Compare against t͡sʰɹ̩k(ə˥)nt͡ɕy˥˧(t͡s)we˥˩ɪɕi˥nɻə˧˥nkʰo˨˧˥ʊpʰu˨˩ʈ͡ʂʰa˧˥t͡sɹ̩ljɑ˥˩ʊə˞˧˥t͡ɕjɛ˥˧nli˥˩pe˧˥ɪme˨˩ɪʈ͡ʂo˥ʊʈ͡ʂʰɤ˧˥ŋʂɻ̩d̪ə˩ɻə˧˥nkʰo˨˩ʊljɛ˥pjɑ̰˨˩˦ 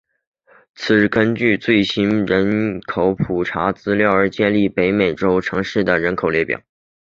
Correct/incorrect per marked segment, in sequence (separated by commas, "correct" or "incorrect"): correct, correct